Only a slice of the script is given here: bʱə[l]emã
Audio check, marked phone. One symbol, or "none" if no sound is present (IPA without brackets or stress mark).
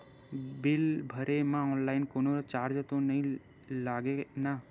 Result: ɾ